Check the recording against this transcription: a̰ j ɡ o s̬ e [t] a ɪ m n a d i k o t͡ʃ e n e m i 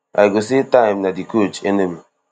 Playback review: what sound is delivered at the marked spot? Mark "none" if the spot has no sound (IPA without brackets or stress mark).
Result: t